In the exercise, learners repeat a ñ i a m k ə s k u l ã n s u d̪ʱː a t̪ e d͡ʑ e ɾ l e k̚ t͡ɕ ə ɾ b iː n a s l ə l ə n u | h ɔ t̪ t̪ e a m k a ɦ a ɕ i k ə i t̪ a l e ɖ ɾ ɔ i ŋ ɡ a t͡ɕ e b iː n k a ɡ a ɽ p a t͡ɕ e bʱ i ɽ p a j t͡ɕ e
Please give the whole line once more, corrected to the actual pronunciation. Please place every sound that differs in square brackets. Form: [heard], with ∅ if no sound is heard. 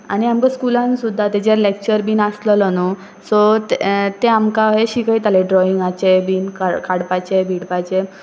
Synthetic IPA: a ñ i a m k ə s k u l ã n s u d̪ʱː a t̪ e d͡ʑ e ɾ l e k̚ t͡ɕ ə ɾ b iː n a s l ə l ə n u | [s] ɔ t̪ t̪ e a m k a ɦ [e] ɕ i k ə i t̪ a l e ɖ ɾ ɔ i ŋ ɡ a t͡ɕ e b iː n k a [k] a ɽ p a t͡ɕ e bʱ i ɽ p a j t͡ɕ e